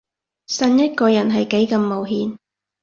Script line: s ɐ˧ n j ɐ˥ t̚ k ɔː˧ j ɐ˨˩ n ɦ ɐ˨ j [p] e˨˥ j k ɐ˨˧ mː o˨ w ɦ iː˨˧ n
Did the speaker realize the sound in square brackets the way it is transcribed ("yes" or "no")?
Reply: no